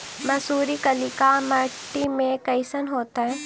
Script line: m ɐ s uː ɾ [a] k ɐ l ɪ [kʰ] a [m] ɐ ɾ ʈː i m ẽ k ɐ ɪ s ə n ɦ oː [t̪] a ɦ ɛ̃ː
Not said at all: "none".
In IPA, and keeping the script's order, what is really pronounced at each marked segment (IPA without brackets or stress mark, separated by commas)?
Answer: i, k, m, t̪